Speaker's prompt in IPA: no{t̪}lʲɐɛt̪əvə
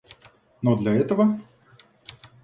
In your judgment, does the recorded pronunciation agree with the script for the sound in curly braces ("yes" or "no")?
no